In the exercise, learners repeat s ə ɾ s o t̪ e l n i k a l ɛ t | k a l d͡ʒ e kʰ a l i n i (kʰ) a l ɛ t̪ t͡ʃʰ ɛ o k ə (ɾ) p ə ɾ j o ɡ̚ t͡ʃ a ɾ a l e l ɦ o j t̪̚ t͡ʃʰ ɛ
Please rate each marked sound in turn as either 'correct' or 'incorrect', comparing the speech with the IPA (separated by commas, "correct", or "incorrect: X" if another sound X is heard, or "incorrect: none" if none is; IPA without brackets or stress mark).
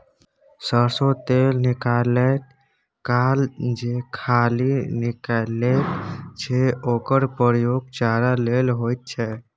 incorrect: k, correct